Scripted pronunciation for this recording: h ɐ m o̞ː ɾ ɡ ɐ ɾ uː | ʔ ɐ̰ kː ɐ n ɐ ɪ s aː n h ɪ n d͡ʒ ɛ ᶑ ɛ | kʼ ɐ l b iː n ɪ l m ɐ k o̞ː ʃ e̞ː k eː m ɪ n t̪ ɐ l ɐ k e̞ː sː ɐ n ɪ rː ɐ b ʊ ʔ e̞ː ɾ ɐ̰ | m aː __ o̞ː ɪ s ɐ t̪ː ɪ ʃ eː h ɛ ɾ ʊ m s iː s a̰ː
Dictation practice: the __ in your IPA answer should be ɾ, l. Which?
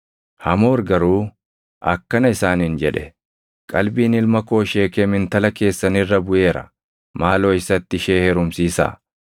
l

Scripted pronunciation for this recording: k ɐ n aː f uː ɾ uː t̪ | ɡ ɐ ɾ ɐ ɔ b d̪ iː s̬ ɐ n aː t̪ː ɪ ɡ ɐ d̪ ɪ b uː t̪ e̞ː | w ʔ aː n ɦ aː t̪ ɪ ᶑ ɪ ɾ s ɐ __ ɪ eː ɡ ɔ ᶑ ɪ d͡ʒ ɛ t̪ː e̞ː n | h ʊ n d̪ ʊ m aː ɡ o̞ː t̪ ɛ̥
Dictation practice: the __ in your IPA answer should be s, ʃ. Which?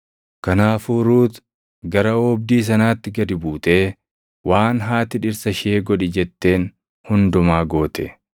ʃ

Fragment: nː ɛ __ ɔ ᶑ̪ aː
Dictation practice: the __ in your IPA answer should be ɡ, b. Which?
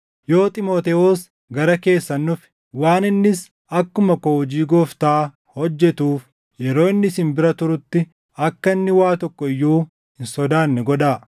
ɡ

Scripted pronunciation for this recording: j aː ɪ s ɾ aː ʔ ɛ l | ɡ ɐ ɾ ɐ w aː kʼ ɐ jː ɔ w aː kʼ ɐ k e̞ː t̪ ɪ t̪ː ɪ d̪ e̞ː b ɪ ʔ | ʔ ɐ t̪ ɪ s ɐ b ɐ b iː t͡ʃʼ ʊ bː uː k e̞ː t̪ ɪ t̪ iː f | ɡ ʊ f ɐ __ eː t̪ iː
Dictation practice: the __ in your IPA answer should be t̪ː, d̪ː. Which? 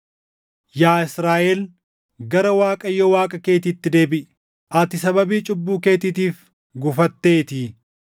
t̪ː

